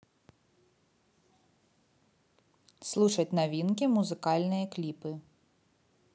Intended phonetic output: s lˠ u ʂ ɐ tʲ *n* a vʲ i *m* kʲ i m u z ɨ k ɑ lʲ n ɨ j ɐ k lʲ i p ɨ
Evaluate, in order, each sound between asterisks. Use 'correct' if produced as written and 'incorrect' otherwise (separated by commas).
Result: correct, incorrect